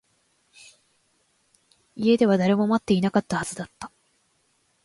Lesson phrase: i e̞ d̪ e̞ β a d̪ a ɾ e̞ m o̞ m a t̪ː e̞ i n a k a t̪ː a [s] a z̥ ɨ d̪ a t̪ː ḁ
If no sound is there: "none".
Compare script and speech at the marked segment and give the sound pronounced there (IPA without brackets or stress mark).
h